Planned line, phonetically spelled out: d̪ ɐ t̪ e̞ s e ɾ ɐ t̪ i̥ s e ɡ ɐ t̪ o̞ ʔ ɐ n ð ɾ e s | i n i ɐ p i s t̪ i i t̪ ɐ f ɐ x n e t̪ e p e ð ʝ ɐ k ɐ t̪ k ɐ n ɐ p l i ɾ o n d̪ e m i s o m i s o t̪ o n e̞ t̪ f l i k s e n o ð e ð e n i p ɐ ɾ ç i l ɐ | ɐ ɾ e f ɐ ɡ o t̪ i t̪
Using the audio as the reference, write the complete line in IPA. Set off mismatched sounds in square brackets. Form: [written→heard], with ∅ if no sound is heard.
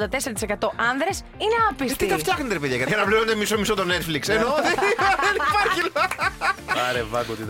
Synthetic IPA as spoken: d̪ ɐ t̪ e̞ s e ɾ ɐ t̪ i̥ s e [ɡ→k] ɐ t̪ o̞ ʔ ɐ n ð ɾ e s | i n [i→e] ɐ p i s t̪ i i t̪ ɐ f ɐ x n e t̪ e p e ð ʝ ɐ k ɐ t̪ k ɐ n ɐ p l i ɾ o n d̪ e m i s o m i s o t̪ o n e̞ t̪ f l i k s e n o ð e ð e n i p ɐ ɾ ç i l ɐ | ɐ ɾ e [f→v] ɐ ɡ o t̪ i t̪